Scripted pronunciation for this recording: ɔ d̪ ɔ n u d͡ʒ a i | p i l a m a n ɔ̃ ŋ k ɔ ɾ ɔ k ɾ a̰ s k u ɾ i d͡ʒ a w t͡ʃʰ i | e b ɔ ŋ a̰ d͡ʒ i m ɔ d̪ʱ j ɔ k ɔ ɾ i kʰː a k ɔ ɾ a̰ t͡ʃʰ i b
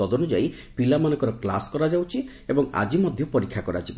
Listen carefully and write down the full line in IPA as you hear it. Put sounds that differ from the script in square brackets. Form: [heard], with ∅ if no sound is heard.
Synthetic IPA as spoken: ɔ d̪ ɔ n u d͡ʒ a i | p i l a m a n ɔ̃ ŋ k ɔ ɾ ɔ k [l] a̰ s k [ɔ] ɾ [a] d͡ʒ a w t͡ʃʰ i | e b ɔ ŋ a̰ d͡ʒ i m ɔ d̪ʱ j ɔ [p] ɔ ɾ i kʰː a k ɔ ɾ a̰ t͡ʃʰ i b